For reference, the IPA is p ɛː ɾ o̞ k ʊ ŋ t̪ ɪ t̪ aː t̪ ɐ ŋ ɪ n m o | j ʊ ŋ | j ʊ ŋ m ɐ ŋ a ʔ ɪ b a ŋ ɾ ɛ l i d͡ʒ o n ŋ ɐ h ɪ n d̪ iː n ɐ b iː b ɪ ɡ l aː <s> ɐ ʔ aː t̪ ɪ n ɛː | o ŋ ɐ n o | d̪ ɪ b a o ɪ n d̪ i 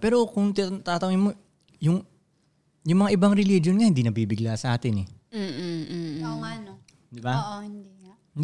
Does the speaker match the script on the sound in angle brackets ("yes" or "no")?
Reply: yes